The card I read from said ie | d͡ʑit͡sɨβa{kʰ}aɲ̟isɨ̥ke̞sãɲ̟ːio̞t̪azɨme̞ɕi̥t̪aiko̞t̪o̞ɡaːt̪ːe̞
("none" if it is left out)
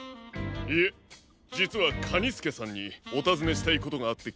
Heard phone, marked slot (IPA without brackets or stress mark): kʰ